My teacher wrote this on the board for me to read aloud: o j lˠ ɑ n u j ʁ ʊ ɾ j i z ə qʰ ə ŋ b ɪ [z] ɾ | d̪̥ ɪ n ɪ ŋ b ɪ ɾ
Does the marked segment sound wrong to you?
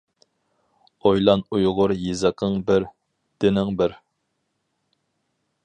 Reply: yes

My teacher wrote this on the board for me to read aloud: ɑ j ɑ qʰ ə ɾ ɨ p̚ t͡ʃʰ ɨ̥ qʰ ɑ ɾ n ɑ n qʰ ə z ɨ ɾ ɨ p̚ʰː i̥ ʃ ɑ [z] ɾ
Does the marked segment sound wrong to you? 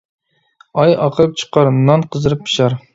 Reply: yes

